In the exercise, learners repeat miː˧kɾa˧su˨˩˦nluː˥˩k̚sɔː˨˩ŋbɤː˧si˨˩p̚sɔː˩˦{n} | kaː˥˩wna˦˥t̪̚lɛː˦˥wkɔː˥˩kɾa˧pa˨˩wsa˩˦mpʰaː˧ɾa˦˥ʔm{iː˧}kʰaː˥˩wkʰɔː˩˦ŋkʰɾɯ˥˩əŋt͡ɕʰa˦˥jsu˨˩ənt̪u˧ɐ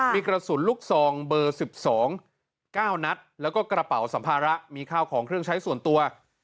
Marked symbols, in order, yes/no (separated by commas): no, yes